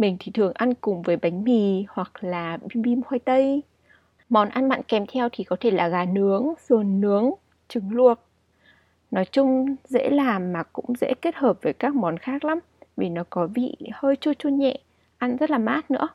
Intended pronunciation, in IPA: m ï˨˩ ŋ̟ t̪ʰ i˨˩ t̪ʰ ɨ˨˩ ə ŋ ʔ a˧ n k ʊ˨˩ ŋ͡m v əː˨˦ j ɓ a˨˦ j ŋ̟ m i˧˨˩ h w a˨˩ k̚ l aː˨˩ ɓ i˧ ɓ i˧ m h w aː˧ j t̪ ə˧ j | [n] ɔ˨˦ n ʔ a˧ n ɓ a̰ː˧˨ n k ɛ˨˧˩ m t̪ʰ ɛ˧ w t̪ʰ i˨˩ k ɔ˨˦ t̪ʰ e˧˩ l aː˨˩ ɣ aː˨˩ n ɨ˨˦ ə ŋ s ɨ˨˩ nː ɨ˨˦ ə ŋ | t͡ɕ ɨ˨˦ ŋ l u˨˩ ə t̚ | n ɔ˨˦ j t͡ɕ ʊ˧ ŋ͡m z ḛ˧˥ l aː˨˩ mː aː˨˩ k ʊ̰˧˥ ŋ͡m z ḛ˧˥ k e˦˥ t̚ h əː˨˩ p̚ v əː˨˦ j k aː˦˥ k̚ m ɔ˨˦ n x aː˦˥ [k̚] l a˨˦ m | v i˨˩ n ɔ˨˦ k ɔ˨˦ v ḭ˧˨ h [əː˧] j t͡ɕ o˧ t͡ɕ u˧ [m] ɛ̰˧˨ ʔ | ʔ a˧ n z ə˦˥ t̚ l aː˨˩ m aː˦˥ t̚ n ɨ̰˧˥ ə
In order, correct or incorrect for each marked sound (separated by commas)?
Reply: incorrect, correct, correct, incorrect